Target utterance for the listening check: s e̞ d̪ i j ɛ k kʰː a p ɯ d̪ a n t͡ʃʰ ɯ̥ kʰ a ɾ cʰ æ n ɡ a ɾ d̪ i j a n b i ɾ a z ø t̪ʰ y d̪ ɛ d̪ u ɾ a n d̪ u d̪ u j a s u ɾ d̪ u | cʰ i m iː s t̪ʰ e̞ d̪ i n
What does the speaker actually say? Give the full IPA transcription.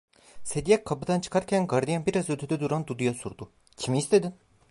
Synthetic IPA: s e̞ d̪ i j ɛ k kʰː a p ɯ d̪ a n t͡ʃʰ ɯ̥ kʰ a ɾ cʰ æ n ɡ a ɾ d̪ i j a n b i ɾ a z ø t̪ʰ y d̪ ɛ d̪ u ɾ a n d̪ u d̪ u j a s u ɾ d̪ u | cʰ i m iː s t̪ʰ e̞ d̪ i n